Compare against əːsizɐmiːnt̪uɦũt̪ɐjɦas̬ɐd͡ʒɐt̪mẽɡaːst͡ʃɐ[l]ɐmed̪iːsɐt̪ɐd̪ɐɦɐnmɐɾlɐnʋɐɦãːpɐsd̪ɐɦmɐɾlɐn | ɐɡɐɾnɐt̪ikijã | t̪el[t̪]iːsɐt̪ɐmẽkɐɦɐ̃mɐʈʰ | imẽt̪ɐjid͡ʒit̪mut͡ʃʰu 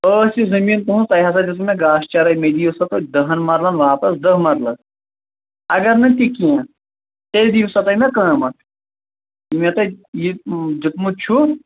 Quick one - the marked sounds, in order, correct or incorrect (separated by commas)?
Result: incorrect, incorrect